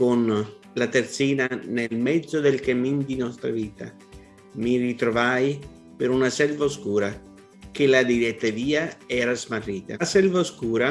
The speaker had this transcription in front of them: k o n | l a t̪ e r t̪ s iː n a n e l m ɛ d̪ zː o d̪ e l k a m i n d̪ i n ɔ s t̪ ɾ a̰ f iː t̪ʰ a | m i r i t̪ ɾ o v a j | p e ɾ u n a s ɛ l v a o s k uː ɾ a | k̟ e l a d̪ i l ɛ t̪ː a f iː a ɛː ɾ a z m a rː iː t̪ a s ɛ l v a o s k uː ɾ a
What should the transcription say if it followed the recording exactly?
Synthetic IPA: k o n | l a t̪ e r t̪ s iː n a n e l m ɛ d̪ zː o d̪ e l k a m i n d̪ i n ɔ s t̪ ɾ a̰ v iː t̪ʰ a | m i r i t̪ ɾ o v a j | p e ɾ u n a s ɛ l v a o s k uː ɾ a | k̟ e l a d̪ i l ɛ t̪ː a v iː a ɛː ɾ a z m a rː iː t̪ a s ɛ l v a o s k uː ɾ a